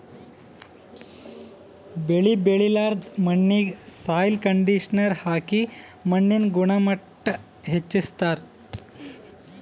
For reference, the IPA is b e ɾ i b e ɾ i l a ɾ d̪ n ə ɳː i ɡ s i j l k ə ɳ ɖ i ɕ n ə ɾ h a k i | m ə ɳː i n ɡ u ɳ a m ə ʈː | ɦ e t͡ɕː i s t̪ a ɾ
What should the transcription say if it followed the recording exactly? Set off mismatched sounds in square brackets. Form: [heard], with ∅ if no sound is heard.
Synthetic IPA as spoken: b e [ɭ] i b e [ɭ] i l a ɾ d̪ [m] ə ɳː i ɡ s [a] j l k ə ɳ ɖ i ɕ n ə ɾ h a k i | m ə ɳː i n ɡ u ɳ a m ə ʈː | ɦ e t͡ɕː i s t̪ a ɾ